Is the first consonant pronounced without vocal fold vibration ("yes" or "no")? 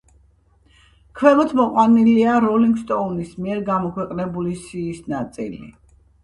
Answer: yes